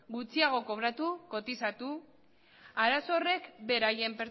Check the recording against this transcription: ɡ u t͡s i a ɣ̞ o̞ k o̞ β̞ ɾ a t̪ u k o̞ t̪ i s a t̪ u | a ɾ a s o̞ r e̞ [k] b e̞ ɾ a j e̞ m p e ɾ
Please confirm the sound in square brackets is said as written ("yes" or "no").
yes